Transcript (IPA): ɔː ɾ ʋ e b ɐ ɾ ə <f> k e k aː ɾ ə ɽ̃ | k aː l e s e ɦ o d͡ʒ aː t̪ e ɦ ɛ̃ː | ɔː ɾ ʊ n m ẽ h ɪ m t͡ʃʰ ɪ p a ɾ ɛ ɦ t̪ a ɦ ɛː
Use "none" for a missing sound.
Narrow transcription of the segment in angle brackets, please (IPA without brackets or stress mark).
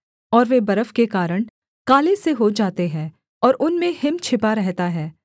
f